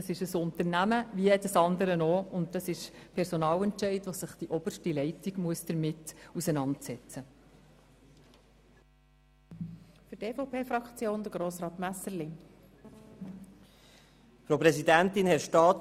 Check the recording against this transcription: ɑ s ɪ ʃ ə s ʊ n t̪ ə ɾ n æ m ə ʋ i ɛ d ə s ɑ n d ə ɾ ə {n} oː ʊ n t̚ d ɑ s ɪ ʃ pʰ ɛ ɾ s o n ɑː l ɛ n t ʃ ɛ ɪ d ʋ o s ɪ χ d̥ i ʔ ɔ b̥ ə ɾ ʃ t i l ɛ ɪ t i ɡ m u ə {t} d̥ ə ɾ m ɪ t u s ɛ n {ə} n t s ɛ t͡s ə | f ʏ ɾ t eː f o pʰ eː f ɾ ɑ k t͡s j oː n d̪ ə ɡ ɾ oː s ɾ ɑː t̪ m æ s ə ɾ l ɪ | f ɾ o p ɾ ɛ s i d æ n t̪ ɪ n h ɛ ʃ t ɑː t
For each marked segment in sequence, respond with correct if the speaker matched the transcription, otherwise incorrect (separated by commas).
correct, incorrect, incorrect